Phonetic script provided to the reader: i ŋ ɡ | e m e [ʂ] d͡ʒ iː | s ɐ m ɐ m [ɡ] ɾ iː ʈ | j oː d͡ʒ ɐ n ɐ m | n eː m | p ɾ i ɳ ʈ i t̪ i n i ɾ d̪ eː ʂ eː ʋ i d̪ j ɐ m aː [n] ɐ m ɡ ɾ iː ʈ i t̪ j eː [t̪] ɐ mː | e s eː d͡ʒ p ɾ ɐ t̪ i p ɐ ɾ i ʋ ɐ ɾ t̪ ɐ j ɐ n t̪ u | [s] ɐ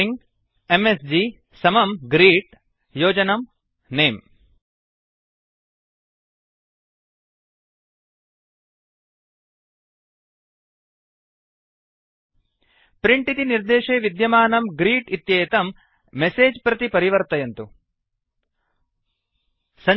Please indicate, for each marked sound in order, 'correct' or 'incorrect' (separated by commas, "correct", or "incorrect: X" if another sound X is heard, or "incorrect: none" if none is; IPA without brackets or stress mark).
incorrect: s, correct, correct, correct, correct